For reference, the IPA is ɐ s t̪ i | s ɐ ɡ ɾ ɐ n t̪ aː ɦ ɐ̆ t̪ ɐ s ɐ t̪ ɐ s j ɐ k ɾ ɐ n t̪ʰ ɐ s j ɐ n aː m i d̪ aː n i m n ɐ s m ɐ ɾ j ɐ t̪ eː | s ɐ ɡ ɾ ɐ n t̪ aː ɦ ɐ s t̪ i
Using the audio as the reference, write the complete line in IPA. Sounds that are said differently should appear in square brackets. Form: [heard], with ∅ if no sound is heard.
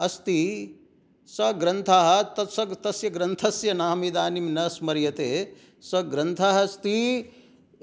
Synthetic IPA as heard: ɐ s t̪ i | s ɐ ɡ ɾ ɐ n [t̪ʰ] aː ɦ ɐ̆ t̪ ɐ s ɐ t̪ ɐ s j ɐ [ɡ] ɾ ɐ n t̪ʰ ɐ s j ɐ n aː m i d̪ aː n i m n ɐ s m ɐ ɾ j ɐ t̪ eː | s ɐ ɡ ɾ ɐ n [t̪ʰ] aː ɦ ɐ s t̪ i